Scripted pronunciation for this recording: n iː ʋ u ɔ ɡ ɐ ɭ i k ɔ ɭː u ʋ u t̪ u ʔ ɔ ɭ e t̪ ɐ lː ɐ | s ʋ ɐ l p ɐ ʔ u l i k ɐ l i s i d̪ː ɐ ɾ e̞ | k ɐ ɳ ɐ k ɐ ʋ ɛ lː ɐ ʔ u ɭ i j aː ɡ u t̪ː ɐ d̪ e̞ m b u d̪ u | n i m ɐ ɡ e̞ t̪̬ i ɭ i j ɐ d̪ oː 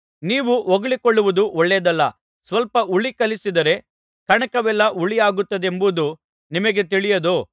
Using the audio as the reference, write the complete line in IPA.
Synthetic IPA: n iː ʋ u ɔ ɡ ɐ ɭ i k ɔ ɭː u ʋ u d̪ u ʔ ɔ ɭː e d̪ ɐ lː ɐ | s ʋ ɐ l p ɐ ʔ u ɭ i k ɐ l i s i d̪ ɐ ɾ e̞ | k ɐ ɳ ɐ k ɐ ʋ ɛ lː ɐ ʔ u ɭ i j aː ɡ u t̪ː ɐ d̪ e̞ m b u d̪ u | n i m ɐ ɡ e̞ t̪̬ i ɭ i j ɐ d̪ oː